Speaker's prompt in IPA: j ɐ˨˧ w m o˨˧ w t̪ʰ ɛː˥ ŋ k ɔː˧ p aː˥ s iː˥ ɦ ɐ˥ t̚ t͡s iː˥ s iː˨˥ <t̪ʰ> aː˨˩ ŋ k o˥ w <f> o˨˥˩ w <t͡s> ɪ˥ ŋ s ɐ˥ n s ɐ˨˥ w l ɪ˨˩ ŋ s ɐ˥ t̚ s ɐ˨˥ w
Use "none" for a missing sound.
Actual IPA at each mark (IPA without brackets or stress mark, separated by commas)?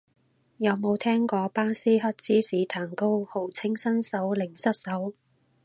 t̪ʰ, h, t͡sʰ